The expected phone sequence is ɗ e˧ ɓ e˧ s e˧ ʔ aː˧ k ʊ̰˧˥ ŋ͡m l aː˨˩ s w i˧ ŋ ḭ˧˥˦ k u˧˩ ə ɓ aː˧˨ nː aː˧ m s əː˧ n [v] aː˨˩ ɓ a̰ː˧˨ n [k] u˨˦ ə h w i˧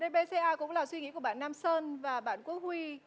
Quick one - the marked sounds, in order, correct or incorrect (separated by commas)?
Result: correct, correct